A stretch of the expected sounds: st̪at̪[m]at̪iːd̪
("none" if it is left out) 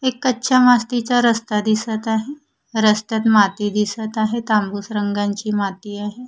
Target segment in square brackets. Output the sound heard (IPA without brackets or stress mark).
m